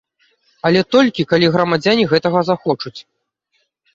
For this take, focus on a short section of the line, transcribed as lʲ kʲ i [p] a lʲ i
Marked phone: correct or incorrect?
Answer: incorrect